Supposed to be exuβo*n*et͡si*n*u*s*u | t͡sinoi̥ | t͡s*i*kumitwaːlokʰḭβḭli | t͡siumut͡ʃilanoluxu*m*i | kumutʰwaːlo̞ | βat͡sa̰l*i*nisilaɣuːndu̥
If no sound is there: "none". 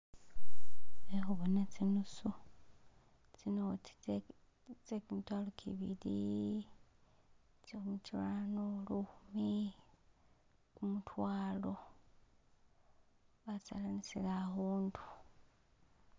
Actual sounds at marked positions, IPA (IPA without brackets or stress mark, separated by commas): n, n, s, e, m, a